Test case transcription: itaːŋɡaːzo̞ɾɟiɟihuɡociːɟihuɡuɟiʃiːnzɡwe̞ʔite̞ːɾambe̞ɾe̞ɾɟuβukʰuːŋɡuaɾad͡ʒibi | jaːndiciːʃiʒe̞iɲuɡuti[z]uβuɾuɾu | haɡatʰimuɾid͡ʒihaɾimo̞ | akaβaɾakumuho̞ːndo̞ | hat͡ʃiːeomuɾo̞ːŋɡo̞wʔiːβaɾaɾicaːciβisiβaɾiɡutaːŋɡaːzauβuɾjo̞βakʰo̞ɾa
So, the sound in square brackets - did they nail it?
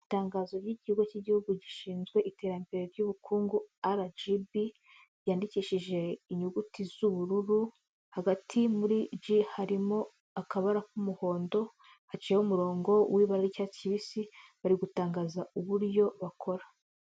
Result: yes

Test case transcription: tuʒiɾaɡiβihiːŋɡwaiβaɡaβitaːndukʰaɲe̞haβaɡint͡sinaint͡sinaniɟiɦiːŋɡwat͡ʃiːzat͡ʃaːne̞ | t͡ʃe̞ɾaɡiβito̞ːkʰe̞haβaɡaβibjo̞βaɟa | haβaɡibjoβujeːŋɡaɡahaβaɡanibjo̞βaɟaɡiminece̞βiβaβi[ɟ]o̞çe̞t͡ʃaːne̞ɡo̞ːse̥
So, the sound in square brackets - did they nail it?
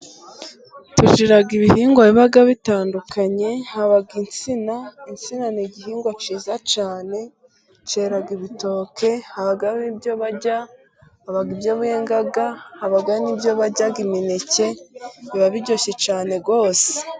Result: yes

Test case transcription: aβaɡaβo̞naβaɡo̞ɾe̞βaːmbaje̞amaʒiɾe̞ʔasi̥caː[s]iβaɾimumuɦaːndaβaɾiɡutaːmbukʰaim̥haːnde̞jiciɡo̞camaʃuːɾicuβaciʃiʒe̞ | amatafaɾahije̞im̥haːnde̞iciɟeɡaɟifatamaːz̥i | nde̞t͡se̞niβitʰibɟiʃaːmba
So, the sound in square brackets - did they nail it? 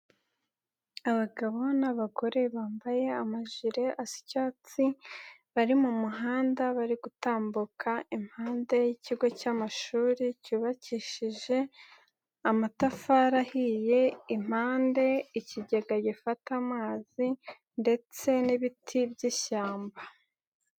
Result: no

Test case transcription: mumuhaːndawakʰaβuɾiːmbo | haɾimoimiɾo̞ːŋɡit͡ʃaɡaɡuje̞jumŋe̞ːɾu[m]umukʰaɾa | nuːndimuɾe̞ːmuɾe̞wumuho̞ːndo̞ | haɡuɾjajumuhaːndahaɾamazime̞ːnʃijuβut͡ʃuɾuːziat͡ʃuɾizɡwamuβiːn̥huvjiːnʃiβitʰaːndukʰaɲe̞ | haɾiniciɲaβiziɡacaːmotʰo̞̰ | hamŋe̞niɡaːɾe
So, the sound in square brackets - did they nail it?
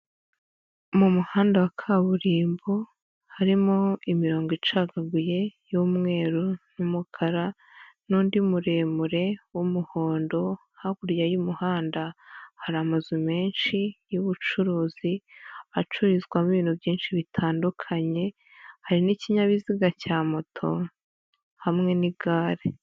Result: no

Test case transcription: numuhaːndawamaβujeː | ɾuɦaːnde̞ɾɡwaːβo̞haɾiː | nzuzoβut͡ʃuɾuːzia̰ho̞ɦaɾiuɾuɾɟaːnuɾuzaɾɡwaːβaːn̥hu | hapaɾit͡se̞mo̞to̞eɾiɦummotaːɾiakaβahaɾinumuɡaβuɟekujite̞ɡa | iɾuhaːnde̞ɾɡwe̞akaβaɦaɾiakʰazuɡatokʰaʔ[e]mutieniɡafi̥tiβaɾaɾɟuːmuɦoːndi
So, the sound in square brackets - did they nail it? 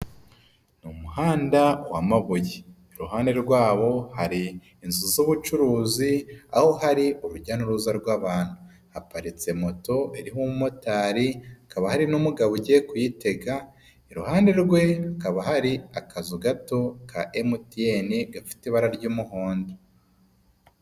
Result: yes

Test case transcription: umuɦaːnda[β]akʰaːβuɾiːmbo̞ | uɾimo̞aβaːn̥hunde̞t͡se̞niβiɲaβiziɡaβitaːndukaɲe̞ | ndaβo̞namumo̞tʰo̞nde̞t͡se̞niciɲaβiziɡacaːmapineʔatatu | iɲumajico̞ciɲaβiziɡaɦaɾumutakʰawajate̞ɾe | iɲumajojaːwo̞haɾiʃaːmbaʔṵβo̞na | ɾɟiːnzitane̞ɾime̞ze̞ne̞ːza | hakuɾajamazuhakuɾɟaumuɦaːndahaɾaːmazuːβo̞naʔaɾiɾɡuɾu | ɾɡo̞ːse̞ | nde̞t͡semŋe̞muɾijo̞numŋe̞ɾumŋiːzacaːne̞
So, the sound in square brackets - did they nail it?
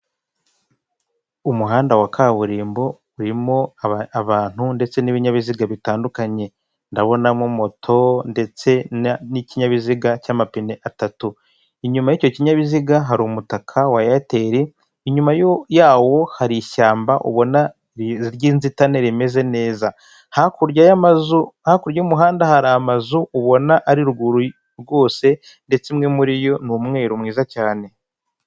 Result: no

